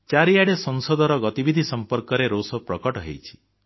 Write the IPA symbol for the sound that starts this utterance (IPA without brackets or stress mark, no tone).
t͡ʃ